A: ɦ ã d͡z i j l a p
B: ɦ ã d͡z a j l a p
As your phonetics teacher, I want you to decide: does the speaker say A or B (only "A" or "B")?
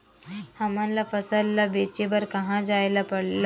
B